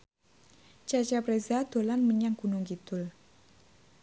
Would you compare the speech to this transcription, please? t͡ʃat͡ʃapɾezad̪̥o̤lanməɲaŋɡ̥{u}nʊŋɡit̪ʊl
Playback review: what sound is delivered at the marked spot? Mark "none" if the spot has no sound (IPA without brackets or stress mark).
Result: u